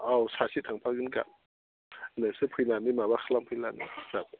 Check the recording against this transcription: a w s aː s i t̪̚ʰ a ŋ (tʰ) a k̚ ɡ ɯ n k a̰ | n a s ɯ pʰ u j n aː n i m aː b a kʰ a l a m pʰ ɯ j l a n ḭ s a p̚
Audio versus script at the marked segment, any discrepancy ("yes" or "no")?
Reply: yes